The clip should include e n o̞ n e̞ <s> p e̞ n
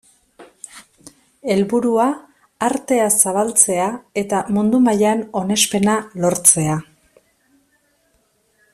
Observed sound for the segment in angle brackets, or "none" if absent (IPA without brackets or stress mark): s